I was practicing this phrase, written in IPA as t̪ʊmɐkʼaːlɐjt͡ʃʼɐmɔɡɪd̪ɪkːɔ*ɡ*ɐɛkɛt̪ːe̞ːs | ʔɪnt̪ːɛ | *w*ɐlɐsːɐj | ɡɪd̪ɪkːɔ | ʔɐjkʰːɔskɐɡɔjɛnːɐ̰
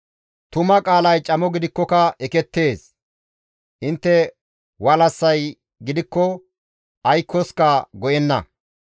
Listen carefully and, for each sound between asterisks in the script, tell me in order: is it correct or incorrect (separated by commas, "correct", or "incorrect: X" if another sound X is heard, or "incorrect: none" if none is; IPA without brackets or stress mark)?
incorrect: k, correct